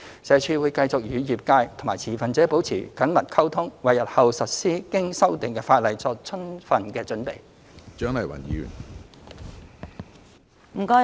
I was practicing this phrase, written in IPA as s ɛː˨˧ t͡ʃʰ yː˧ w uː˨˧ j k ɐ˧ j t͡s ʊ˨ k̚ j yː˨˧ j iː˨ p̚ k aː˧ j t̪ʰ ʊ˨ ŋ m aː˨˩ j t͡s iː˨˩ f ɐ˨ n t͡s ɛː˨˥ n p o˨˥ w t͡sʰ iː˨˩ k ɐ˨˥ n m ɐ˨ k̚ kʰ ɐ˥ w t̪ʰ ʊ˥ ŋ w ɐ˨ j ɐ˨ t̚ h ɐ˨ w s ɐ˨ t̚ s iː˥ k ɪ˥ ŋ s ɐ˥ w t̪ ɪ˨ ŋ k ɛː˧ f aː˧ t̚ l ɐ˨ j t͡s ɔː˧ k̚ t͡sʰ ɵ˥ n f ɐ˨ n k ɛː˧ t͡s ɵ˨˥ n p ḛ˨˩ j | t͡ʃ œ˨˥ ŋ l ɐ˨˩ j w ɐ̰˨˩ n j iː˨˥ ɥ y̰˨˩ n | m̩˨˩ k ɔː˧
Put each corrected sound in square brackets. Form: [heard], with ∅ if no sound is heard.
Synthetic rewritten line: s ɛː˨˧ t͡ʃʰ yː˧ w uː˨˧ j k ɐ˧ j t͡s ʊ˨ k̚ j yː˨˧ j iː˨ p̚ k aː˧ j t̪ʰ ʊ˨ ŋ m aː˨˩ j [t͡sʰ] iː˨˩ f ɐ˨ n t͡s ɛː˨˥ [∅] p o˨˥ w t͡sʰ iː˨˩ k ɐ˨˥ n m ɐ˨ [t̚] kʰ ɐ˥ w t̪ʰ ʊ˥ ŋ w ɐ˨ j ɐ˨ t̚ h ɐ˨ w s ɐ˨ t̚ s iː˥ k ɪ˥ ŋ s ɐ˥ w t̪ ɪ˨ ŋ k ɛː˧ f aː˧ t̚ l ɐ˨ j t͡s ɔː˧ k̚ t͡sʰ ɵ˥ n f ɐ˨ n k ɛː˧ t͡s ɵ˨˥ n p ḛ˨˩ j | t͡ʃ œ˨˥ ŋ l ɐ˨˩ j w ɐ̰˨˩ n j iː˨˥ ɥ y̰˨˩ n | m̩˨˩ k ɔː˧

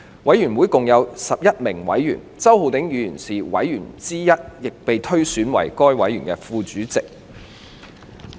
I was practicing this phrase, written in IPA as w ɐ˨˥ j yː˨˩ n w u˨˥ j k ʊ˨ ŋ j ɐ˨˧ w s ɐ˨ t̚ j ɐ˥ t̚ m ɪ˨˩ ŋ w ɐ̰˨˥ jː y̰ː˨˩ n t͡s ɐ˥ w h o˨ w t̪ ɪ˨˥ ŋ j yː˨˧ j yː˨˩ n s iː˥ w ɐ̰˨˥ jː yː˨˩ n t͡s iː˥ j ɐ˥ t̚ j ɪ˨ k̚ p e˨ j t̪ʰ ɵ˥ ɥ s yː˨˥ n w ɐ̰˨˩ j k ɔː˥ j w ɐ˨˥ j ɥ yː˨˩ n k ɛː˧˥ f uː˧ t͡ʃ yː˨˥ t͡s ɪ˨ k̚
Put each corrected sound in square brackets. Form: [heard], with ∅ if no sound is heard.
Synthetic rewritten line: w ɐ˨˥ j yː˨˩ n w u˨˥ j k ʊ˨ ŋ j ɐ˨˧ w s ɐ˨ [p̚] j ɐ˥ t̚ m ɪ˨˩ ŋ w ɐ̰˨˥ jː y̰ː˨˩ n t͡s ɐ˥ w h o˨ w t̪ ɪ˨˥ ŋ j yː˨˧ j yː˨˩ n s [iː˨] w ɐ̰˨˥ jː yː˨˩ n t͡s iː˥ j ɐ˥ t̚ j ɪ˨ k̚ p e˨ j t̪ʰ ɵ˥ ɥ s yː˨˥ n w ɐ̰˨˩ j k ɔː˥ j w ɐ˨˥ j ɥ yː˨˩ n k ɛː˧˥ f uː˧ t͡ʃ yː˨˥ t͡s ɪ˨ k̚

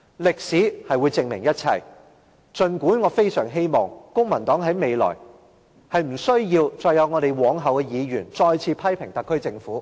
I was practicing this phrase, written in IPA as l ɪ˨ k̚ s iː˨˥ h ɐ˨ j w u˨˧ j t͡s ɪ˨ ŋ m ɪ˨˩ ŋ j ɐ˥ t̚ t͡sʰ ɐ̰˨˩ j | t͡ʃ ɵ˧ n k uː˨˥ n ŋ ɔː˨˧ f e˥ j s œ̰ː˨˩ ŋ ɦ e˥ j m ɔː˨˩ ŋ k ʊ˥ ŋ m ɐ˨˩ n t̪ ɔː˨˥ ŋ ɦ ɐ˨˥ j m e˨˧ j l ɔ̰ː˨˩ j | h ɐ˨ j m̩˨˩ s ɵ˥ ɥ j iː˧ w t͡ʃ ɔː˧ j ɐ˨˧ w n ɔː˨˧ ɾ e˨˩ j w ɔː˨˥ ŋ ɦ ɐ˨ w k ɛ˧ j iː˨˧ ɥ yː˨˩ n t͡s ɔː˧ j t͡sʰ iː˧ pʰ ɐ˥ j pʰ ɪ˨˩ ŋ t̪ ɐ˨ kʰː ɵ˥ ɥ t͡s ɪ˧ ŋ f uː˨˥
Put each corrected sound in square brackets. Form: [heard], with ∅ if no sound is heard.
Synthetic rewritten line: l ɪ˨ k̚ s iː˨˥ h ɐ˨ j w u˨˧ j t͡s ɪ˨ ŋ m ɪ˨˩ ŋ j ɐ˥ t̚ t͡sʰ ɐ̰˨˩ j | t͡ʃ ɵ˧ n k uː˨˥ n ŋ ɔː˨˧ f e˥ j s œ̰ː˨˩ ŋ ɦ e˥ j m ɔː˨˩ ŋ k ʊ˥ ŋ m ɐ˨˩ n t̪ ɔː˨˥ ŋ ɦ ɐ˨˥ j m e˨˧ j l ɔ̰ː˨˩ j | h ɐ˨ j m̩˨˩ s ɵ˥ ɥ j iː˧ w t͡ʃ ɔː˧ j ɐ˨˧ w [ŋ] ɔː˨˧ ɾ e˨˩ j w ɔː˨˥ ŋ ɦ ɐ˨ w k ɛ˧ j iː˨˧ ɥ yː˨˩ n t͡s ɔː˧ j t͡sʰ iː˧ pʰ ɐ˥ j pʰ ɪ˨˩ ŋ t̪ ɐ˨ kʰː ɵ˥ ɥ t͡s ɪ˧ ŋ f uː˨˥

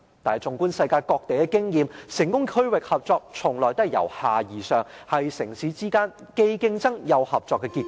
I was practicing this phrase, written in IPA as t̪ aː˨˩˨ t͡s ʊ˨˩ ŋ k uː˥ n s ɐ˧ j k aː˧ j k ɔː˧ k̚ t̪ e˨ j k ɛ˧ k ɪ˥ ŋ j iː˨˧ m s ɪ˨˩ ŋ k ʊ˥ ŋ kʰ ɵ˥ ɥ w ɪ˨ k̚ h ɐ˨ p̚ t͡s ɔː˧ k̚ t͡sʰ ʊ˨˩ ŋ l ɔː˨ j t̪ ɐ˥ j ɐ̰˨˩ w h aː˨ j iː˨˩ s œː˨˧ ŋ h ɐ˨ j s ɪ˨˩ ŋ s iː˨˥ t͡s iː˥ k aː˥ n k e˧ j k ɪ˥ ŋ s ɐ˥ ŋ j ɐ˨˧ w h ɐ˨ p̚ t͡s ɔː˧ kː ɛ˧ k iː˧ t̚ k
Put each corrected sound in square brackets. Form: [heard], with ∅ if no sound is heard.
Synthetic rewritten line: t̪ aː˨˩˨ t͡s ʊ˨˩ ŋ k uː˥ n s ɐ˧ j k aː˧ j k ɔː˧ k̚ t̪ e˨ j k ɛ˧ k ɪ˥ ŋ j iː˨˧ m s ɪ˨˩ ŋ k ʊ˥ ŋ kʰ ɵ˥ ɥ w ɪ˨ k̚ h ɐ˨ p̚ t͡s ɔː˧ k̚ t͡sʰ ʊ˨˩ ŋ l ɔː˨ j t̪ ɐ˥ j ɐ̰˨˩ w h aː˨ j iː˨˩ s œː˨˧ ŋ h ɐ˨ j s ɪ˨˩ ŋ s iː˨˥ t͡s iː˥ k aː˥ n k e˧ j k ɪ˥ ŋ [t͡s] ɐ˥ ŋ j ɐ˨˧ w h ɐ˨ p̚ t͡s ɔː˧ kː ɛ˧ k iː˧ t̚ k

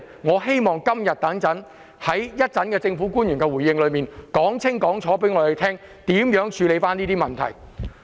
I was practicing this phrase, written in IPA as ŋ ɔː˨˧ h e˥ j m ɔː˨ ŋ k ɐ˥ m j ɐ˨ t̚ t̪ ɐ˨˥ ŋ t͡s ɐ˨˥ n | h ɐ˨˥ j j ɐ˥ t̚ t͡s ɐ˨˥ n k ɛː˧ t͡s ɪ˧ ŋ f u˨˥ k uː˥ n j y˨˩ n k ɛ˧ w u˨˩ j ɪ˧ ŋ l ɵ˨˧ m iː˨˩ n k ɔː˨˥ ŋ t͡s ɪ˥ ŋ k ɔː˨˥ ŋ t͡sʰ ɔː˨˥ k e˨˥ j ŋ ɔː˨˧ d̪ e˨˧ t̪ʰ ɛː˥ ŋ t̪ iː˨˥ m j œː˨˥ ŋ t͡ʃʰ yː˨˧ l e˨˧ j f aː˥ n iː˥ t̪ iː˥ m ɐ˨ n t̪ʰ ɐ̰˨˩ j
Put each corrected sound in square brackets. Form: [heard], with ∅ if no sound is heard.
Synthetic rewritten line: ŋ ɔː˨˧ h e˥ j m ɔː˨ ŋ k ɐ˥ m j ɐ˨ t̚ t̪ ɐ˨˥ ŋ t͡s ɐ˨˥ n | h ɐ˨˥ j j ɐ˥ t̚ t͡s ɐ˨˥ n k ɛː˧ t͡s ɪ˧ ŋ f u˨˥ k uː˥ n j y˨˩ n k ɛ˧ w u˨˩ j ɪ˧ ŋ l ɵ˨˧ m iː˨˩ n k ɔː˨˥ ŋ [t͡sʰ] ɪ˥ ŋ k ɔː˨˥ ŋ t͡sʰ ɔː˨˥ [p] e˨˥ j ŋ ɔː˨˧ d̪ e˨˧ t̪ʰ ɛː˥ ŋ t̪ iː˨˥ m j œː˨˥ ŋ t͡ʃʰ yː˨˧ l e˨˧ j f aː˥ n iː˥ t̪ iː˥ m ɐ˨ n t̪ʰ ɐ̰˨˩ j

